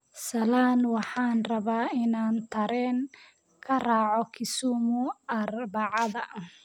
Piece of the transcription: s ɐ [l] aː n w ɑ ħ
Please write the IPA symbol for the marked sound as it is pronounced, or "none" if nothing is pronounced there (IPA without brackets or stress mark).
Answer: l